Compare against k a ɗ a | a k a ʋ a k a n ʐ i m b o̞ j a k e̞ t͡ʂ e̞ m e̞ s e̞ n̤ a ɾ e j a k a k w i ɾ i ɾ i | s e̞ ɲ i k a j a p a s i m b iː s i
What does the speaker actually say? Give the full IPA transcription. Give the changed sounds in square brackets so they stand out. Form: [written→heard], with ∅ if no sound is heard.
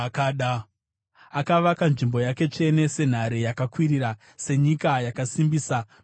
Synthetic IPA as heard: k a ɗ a | a k a ʋ a k a n ʐ i m b o̞ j a k e̞ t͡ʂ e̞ [m→n] e̞ s e̞ n̤ a ɾ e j a k a k w i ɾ i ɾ [i→a] | s e̞ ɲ i k a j a [p→k] a s i m b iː s [i→a]